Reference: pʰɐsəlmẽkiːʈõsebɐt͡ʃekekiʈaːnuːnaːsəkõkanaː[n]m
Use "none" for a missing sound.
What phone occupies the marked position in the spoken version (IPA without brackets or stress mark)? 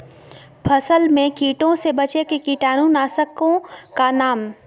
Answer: none